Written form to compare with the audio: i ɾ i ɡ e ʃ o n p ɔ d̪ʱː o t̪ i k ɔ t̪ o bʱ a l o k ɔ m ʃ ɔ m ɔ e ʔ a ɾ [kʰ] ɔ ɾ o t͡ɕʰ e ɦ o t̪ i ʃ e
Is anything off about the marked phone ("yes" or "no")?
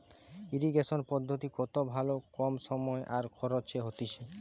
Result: no